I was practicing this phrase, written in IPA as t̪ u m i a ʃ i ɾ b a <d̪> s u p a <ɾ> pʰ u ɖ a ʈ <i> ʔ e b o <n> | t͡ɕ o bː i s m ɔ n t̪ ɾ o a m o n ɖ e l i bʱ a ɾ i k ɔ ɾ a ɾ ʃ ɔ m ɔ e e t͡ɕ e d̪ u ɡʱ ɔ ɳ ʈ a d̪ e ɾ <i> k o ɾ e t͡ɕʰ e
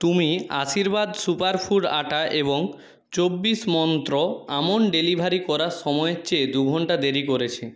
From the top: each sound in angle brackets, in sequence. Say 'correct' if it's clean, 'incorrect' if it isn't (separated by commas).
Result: correct, correct, incorrect, incorrect, correct